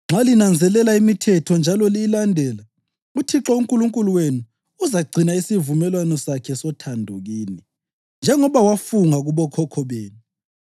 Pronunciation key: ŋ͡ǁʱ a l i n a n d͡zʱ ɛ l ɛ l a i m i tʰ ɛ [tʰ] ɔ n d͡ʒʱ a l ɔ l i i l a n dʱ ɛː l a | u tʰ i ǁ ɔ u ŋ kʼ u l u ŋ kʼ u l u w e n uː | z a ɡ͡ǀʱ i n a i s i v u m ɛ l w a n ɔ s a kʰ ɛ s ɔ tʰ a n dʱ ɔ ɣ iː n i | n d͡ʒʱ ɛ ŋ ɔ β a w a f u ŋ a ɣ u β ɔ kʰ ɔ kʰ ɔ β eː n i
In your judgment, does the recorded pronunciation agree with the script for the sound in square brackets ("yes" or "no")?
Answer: yes